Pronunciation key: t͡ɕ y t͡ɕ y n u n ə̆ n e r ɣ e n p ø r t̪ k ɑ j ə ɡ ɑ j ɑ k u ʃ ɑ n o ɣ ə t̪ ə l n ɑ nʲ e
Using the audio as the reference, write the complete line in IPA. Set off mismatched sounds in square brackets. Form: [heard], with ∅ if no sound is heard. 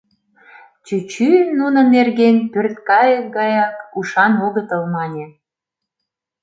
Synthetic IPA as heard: t͡ɕ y t͡ɕ y n u n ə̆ n e r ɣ e n p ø r t̪ k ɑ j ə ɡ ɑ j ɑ k u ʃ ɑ n o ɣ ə t̪ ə l [m] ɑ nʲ e